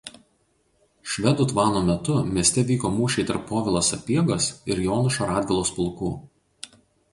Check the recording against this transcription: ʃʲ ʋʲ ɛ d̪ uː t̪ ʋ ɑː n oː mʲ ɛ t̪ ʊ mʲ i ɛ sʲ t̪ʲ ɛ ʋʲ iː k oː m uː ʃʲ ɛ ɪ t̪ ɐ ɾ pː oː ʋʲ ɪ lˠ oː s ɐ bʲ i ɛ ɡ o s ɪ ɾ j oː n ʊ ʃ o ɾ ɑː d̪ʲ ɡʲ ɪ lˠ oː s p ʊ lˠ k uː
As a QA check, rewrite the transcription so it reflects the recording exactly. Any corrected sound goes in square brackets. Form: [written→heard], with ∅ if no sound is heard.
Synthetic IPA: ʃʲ ʋʲ ɛ d̪ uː t̪ ʋ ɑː n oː mʲ ɛ t̪ ʊ mʲ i ɛ sʲ t̪ʲ ɛ ʋʲ iː k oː m uː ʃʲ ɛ ɪ t̪ ɐ ɾ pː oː ʋʲ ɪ lˠ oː s ɐ [bʲ→pʲ] i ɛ ɡ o s ɪ ɾ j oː n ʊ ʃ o ɾ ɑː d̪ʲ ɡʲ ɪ lˠ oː s p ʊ lˠ k uː

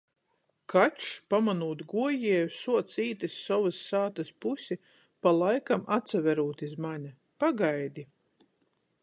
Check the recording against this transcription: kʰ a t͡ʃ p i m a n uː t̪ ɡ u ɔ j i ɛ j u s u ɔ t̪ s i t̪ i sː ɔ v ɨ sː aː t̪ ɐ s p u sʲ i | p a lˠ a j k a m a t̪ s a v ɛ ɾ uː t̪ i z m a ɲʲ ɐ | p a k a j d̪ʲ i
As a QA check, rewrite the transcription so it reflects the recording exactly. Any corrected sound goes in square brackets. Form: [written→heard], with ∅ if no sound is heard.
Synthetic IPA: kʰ a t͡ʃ p [i→a] m a n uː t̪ ɡ u ɔ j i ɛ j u s u ɔ t̪ s [i→iː] t̪ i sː ɔ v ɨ sː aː t̪ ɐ s p u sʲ i | p a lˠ a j k a m a t̪ s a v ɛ ɾ uː t̪ i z m a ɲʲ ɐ | p a [k→ɡ] a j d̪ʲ i

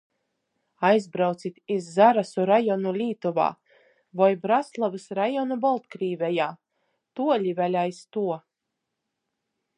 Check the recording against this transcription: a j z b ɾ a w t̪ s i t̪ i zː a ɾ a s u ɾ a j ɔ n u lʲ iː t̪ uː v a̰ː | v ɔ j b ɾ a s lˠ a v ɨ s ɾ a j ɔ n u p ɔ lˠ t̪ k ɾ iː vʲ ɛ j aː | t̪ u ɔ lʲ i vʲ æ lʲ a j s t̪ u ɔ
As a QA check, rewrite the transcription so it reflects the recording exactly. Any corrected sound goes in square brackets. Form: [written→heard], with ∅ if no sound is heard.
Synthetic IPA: a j z b ɾ a w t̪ s i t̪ i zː a ɾ a s u ɾ a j ɔ n u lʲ iː t̪ [uː→u] v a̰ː | v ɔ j b ɾ a s lˠ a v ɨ s ɾ a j ɔ n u [p→b] ɔ lˠ t̪ k ɾ iː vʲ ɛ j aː | t̪ u ɔ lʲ i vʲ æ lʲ a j s t̪ u ɔ

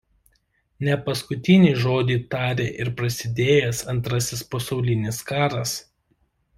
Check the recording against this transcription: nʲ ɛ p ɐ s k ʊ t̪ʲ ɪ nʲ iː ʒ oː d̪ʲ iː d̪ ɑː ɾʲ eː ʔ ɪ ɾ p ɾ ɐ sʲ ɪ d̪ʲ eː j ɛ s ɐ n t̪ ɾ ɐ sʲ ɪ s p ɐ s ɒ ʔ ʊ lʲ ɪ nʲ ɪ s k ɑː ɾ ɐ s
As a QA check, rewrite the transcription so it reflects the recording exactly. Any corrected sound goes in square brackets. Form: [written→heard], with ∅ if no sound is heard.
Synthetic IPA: nʲ ɛ p ɐ s k ʊ t̪ʲ ɪ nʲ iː ʒ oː d̪ʲ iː [d̪→t̪] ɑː ɾʲ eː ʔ ɪ ɾ p ɾ ɐ sʲ ɪ d̪ʲ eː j ɛ s ɐ n t̪ ɾ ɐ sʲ ɪ s p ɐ s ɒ [ʔ→∅] ʊ lʲ ɪ nʲ ɪ s k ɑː ɾ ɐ s

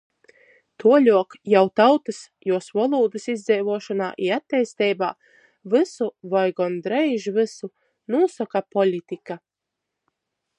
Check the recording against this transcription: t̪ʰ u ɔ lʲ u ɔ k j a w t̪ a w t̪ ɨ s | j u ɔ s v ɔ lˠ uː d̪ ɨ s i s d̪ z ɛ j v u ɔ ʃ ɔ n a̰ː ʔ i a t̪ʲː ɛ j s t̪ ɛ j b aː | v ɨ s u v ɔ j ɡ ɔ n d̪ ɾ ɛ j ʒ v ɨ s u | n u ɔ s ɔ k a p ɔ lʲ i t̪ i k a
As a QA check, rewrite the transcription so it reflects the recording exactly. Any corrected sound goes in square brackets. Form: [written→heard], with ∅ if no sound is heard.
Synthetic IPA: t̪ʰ u ɔ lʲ u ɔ k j a w t̪ a w t̪ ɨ s | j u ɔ s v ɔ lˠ uː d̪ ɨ s i [s→z] d̪ z ɛ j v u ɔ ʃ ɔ n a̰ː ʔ i a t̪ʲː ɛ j s t̪ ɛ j b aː | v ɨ s u v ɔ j ɡ ɔ n d̪ ɾ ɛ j ʒ v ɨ s u | n u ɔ s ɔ k a p ɔ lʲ i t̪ i k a

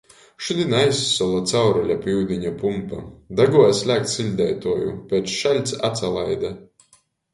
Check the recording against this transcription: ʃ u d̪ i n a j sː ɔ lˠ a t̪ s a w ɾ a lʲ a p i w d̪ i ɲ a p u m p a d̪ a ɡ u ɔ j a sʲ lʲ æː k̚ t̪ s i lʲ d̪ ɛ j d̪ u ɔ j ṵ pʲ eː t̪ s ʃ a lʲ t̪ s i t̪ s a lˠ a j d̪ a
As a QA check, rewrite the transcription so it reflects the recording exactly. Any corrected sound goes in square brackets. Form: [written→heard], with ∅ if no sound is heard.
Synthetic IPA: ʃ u d̪ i n a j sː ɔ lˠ a t̪ s a w ɾ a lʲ a p i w d̪ i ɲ a p u m p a d̪ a ɡ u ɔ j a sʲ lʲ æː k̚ t̪ s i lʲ d̪ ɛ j [d̪→t̪] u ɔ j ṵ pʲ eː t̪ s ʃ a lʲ t̪ s [i→a] t̪ s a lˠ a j d̪ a

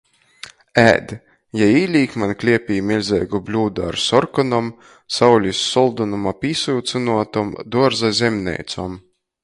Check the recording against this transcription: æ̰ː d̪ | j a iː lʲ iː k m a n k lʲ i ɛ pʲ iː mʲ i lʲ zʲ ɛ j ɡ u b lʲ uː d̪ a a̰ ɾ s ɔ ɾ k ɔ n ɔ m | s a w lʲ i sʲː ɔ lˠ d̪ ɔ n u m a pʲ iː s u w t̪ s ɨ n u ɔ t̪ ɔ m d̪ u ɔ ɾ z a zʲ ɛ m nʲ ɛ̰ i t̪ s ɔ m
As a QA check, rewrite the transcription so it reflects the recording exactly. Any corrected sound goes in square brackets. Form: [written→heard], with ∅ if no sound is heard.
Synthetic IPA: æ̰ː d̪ | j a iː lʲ iː k m a n k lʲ i ɛ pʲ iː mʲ i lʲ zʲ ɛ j ɡ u b lʲ uː d̪ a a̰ ɾ s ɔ ɾ k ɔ n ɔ m | s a w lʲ i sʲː ɔ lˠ d̪ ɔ n u m a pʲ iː s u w t̪ s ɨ n u ɔ t̪ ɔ m d̪ u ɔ ɾ z a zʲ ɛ m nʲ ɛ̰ [i→j] t̪ s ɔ m

